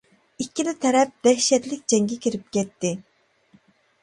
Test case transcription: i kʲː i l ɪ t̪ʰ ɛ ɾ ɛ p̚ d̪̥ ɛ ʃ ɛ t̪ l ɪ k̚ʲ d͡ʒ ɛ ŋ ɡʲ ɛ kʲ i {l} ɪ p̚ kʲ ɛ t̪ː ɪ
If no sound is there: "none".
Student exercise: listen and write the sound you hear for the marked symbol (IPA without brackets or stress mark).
ɾ